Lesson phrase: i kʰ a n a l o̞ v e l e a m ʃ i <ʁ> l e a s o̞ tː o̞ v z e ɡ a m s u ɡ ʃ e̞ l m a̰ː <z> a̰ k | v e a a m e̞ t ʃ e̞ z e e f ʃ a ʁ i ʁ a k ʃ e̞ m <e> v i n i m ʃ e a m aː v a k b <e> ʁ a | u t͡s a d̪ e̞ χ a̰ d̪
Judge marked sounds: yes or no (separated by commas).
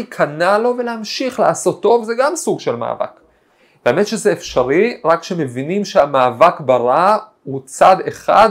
no, no, yes, no